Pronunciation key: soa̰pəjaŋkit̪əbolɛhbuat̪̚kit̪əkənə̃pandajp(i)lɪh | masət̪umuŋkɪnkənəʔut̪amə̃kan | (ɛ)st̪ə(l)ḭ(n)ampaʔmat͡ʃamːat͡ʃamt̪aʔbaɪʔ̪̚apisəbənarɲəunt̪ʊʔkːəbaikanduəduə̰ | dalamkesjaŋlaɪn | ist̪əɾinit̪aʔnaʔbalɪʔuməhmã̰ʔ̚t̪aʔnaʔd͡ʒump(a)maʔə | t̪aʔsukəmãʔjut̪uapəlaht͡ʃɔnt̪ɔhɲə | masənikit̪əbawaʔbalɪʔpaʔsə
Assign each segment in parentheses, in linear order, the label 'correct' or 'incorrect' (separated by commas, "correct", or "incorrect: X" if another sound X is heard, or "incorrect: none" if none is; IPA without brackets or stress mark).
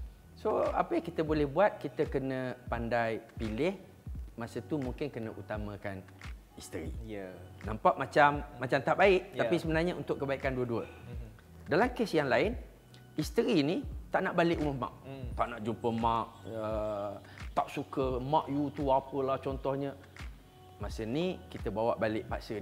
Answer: correct, incorrect: i, incorrect: ɾ, correct, incorrect: ə